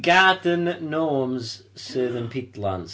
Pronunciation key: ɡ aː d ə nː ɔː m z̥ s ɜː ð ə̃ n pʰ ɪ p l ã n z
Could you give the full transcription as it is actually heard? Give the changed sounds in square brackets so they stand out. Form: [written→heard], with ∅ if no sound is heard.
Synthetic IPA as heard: ɡ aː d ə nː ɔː m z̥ s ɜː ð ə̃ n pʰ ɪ [p→t] l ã n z